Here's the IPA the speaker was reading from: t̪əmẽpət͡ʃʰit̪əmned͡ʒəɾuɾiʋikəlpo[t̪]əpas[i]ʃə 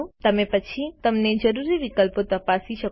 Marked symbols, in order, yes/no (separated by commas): yes, yes